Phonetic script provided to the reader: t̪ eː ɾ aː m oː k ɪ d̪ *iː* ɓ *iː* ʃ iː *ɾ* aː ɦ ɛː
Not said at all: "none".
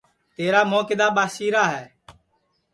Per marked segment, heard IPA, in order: aː, aː, ɾ

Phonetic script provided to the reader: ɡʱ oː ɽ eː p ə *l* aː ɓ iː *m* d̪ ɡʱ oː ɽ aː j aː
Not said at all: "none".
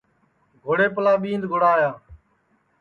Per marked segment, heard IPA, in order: l, n

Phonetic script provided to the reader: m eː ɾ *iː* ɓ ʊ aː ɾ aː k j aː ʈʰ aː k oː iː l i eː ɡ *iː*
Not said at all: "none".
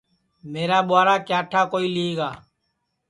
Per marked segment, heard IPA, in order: aː, aː

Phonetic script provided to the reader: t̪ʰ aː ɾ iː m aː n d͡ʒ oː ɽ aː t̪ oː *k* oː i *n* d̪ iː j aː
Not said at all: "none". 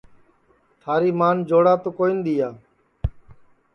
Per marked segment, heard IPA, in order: k, n

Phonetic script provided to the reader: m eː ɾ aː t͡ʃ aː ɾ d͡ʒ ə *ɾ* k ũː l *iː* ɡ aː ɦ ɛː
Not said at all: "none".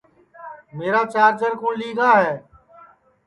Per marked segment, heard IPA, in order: ɾ, iː

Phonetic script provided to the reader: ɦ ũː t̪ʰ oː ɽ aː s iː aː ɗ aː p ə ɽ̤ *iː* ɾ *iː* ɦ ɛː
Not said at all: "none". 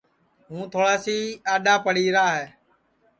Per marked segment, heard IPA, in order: iː, aː

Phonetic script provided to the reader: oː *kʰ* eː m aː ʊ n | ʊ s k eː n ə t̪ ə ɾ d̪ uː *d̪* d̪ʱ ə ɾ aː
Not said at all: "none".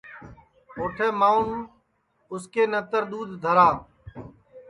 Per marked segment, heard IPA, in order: ʈʰ, d̪

